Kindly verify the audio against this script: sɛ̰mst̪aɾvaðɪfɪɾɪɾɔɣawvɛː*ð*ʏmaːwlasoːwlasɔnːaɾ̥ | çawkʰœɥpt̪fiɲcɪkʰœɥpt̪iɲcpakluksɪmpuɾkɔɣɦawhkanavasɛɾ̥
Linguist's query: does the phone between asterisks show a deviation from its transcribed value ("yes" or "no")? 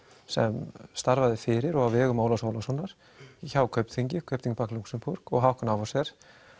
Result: yes